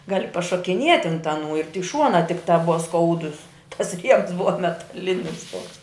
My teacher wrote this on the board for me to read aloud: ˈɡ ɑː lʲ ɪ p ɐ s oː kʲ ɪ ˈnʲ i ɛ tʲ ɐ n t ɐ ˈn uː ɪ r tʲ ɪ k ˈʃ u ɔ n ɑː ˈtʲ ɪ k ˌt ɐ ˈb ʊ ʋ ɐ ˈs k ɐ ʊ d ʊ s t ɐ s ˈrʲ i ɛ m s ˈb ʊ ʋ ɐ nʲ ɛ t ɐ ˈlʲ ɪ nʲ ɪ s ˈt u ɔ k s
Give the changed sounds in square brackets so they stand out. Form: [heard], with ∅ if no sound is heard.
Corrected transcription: ˈɡ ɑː lʲ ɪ p ɐ [ʃ] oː kʲ ɪ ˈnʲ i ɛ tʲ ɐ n t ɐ ˈn uː ɪ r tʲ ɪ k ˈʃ u ɔ n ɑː ˈtʲ ɪ k ˌt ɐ ˈb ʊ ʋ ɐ ˈs k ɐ ʊ d ʊ s t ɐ s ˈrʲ i ɛ m s ˈb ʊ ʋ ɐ [mʲ] ɛ t ɐ ˈlʲ ɪ nʲ ɪ s ˈt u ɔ k s